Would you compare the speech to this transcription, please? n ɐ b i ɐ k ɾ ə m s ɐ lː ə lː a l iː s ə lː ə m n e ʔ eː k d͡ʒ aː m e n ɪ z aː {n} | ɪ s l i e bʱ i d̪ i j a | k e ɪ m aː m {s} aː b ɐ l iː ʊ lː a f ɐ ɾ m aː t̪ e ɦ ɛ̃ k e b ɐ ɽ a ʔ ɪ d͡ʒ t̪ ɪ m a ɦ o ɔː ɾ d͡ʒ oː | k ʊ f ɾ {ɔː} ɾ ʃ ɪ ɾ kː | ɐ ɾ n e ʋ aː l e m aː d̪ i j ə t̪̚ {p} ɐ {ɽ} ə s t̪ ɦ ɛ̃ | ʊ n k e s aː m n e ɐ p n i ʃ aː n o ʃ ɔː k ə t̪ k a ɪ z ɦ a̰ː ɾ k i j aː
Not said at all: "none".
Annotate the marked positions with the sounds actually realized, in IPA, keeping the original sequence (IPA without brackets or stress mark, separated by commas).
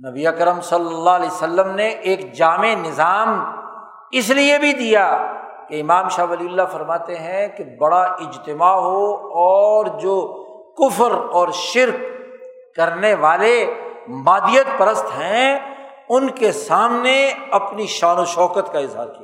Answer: m, ʃ, ɔː, p, ɾ